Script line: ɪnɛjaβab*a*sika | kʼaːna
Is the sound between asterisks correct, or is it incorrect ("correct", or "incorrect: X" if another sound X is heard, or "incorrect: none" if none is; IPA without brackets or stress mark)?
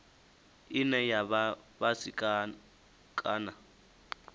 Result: correct